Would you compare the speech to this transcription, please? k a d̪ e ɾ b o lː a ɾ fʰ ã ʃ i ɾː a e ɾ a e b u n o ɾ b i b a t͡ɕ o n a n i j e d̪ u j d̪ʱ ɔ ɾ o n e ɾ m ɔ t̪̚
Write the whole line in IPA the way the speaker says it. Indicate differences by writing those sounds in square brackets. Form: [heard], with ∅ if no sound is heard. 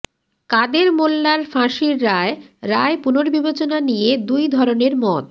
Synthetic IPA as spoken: k a d̪ e ɾ [m] o lː a ɾ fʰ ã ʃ i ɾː a e ɾ a e [p] u n o ɾ b i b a t͡ɕ o n a n i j e d̪ u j d̪ʱ ɔ ɾ o n e ɾ m ɔ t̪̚